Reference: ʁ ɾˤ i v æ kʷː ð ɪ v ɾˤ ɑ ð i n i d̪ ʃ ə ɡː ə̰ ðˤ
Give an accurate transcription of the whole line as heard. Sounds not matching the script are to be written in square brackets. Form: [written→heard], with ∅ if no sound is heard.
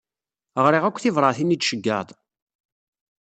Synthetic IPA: ʁ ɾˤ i [v→ʁ] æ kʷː [ð→θ] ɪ v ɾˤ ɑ [ð→θ] i n i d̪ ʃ ə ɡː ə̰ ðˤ

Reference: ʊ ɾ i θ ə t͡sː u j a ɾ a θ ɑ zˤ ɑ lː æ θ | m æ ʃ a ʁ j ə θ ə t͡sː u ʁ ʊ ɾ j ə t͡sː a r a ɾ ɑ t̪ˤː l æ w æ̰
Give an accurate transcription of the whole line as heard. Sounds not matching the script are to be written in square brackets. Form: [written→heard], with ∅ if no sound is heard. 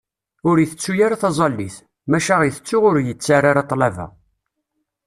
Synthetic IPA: ʊ ɾ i θ ə t͡sː u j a ɾ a θ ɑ zˤ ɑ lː [æ→i] θ | m æ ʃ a ʁ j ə θ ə t͡sː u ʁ ʊ ɾ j ə t͡sː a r a ɾ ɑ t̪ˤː l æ [w→v] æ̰

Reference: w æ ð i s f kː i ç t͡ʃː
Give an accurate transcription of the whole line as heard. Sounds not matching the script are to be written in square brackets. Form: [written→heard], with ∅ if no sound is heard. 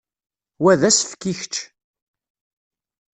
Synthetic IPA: w æ ð [i→æ] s f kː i ç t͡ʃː

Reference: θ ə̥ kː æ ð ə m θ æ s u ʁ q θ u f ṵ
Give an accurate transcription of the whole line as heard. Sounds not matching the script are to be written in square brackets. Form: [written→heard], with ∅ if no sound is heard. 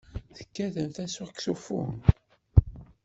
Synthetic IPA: θ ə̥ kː æ ð ə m θ æ s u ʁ [q→k] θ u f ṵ

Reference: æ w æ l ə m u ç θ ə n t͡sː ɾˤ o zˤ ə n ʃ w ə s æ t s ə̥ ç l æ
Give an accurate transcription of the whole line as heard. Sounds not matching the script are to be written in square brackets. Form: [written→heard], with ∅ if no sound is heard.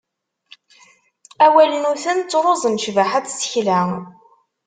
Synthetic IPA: æ w æ l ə [m→n] u [ç→∅] θ ə n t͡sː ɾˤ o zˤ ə n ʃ [w→v] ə [s→ħ] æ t s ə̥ ç l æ

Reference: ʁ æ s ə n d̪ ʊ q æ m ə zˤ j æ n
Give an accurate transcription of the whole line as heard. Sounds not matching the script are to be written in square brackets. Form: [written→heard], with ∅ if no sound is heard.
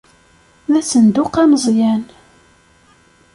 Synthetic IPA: [ʁ→ð] æ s ə n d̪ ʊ q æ m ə zˤ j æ n

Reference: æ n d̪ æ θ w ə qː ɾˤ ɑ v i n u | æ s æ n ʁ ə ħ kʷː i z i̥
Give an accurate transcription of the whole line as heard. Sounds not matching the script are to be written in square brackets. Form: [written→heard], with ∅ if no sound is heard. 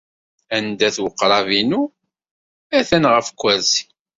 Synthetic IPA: æ n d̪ æ θ w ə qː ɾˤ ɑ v i n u | æ [s→θ] æ n ʁ ə [ħ→f] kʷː [i→æ] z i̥

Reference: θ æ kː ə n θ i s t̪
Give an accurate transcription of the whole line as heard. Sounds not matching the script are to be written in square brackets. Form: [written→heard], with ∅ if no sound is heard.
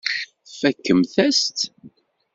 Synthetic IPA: [θ→f] æ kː ə [n→m] θ [i→æ] s t̪

